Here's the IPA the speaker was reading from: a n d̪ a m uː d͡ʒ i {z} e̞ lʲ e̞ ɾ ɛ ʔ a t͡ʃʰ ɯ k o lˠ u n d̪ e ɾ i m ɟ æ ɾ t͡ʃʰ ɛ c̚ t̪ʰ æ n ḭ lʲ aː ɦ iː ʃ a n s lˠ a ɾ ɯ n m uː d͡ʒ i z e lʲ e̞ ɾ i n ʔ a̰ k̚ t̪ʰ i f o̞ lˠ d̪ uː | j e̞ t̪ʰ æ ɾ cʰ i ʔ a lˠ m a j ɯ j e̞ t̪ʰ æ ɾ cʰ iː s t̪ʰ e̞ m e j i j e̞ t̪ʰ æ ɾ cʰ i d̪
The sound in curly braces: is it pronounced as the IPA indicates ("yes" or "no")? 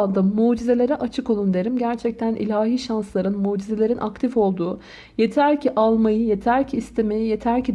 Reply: yes